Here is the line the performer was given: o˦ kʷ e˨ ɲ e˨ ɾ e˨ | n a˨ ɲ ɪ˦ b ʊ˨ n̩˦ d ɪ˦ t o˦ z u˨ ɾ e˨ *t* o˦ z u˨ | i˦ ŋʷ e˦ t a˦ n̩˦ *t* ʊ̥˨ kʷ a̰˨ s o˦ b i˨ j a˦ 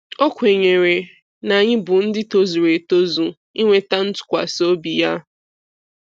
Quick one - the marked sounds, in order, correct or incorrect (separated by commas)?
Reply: correct, correct